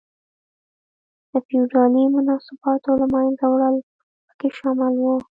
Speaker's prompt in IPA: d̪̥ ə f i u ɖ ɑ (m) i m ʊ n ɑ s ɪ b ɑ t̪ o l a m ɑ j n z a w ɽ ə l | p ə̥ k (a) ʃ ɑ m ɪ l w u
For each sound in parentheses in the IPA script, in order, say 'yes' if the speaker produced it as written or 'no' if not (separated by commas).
no, no